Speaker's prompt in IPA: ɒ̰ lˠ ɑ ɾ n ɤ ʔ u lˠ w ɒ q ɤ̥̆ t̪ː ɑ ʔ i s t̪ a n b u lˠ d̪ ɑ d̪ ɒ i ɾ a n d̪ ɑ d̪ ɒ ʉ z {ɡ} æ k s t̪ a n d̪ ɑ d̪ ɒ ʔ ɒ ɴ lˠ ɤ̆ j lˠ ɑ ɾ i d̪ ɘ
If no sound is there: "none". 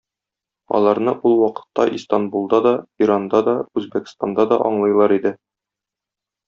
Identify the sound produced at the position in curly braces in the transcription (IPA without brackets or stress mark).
b